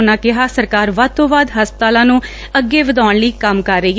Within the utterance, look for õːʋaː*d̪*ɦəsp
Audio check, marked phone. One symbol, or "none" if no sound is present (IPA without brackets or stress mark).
d̪